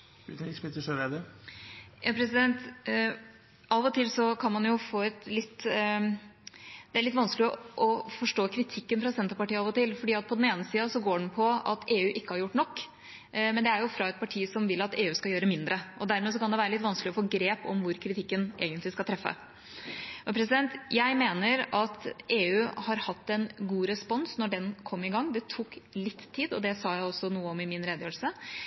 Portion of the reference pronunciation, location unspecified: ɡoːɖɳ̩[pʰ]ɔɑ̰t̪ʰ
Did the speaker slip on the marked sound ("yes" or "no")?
no